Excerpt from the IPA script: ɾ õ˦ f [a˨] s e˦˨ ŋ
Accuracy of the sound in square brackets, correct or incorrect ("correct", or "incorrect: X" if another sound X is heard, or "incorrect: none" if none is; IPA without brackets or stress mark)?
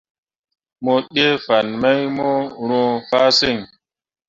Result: incorrect: a˦